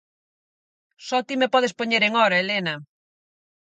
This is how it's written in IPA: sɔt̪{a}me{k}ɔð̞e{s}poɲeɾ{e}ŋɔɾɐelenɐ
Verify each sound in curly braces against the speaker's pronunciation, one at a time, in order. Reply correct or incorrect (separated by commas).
incorrect, incorrect, correct, correct